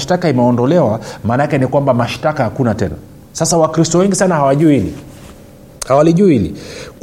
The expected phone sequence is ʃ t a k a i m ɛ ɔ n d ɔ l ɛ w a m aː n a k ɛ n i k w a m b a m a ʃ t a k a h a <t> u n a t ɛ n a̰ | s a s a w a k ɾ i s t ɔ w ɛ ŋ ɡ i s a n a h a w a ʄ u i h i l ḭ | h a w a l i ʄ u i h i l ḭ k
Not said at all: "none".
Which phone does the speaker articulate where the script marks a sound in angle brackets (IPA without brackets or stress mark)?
k